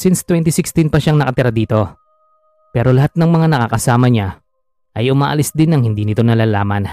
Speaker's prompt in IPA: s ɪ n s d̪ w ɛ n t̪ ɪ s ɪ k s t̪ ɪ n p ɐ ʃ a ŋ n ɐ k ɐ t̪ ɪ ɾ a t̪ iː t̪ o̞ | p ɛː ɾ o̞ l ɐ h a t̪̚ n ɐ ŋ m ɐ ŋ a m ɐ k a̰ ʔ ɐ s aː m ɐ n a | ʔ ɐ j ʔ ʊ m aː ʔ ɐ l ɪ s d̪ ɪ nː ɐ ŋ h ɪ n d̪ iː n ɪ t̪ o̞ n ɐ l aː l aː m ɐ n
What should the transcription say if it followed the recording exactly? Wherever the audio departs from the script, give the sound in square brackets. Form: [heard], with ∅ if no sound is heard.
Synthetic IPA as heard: s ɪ n s [t̪] w ɛ n t̪ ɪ s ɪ k s t̪ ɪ n p ɐ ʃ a ŋ n ɐ k ɐ t̪ ɪ ɾ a [d̪] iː t̪ o̞ | p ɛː ɾ o̞ l ɐ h a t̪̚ n ɐ ŋ m ɐ ŋ a [n] ɐ k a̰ [k] ɐ s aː m ɐ [ɲ] a | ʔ ɐ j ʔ ʊ m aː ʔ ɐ l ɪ s d̪ ɪ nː ɐ ŋ h ɪ n d̪ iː n ɪ t̪ o̞ n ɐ l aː l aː m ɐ n